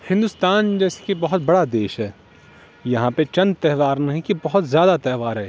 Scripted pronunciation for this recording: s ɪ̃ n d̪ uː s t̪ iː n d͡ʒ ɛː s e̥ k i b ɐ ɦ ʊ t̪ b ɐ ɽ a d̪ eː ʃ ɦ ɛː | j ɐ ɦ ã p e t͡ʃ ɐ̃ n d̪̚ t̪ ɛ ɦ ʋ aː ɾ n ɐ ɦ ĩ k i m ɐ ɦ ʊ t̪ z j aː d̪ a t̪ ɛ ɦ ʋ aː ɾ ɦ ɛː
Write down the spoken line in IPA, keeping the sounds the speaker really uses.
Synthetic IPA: h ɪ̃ n d̪ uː s t̪ aː n d͡ʒ ɛː s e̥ k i b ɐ ɦ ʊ t̪ b ɐ ɽ a d̪ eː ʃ ɦ ɛː | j ɐ ɦ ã p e t͡ʃ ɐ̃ n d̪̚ t̪ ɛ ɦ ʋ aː ɾ n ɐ ɦ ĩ k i b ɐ ɦ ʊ t̪ z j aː d̪ a t̪ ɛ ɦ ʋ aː ɾ ɦ ɛː